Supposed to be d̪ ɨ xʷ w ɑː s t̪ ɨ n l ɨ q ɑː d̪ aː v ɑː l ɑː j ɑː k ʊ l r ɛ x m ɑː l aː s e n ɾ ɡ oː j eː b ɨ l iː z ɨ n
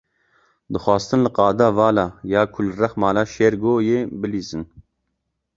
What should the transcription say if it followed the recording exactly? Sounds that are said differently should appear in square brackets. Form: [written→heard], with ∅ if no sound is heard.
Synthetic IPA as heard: d̪ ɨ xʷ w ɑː s t̪ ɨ n l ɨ q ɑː d̪ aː v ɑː l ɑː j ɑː [k→kʰ] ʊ l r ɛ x m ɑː l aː [s→ʃ] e [n→∅] ɾ ɡ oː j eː b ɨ l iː z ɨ n